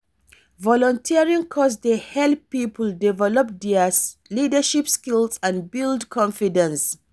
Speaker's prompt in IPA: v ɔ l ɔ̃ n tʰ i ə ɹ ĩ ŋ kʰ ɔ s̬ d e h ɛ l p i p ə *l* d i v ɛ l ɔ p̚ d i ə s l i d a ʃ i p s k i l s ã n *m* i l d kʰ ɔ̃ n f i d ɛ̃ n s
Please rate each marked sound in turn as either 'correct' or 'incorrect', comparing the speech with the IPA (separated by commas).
correct, incorrect